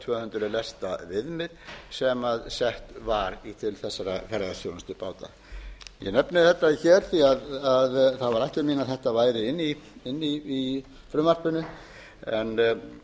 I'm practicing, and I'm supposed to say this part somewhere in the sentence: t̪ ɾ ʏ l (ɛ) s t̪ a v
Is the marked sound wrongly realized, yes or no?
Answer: no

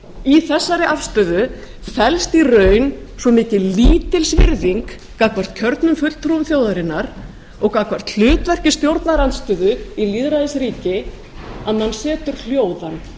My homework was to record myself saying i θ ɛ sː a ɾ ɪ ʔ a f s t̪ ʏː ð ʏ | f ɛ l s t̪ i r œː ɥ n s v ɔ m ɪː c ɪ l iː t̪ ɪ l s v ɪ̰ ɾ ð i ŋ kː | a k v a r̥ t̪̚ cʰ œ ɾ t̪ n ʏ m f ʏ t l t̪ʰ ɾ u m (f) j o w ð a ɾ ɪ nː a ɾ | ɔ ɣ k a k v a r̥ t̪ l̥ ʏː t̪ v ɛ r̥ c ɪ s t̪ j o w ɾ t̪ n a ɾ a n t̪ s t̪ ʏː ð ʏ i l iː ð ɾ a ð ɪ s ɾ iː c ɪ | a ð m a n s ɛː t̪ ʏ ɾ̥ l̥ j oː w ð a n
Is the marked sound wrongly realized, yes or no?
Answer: yes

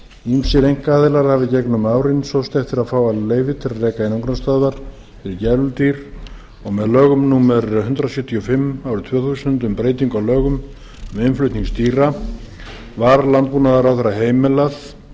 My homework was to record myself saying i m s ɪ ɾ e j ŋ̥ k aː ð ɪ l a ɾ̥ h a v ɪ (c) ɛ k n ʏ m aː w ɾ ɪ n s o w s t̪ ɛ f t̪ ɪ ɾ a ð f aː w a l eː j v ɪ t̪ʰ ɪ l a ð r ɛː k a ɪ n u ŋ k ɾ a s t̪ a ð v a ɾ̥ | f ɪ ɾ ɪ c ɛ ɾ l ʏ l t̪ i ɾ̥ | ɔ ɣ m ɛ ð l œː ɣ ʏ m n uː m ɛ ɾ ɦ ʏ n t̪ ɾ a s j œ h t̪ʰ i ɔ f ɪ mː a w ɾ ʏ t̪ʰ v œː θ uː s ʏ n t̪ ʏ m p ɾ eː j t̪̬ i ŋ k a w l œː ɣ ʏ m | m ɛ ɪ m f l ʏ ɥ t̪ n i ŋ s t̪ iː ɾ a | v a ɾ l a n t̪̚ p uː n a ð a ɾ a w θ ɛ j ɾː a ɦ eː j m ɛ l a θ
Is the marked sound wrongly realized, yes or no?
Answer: no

